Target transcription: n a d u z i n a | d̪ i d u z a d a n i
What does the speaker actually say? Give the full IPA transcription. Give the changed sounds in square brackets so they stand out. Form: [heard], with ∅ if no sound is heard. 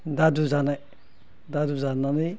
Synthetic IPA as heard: [d] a d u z [a] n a | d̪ [a] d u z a [n] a n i